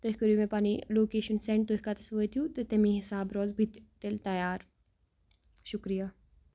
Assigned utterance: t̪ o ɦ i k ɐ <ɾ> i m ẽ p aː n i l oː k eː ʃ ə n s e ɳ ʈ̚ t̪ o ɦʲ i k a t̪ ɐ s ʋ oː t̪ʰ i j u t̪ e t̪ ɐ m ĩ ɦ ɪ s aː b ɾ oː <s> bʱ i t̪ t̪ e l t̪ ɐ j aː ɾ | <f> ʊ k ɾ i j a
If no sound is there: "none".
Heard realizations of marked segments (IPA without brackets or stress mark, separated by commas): ɾ, z, ʃ